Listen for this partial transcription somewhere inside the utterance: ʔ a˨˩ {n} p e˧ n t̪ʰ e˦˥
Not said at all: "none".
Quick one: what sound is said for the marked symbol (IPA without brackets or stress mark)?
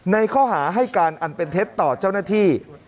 n